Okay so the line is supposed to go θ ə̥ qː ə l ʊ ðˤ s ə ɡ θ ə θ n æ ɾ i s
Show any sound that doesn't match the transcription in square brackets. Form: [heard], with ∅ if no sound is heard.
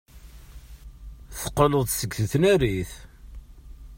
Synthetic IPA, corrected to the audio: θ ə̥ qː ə l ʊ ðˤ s ə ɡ θ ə θ n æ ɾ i [θ]